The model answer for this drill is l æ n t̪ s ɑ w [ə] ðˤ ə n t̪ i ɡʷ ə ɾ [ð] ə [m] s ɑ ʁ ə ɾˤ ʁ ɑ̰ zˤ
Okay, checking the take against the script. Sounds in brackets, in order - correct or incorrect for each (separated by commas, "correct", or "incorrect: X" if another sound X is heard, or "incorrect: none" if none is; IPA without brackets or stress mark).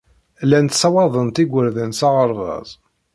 incorrect: ɑ, correct, incorrect: n